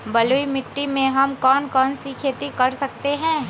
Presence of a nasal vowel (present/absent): present